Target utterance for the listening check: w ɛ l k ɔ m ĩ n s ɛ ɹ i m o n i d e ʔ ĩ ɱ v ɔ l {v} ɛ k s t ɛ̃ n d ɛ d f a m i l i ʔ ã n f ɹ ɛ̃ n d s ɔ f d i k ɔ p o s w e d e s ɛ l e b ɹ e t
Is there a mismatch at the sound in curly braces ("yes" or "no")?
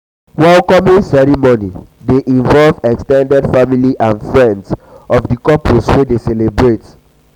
no